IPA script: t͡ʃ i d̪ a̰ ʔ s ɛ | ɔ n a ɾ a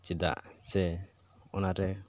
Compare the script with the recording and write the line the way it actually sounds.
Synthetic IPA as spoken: t͡ʃ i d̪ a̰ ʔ s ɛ | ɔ n a ɾ ɛ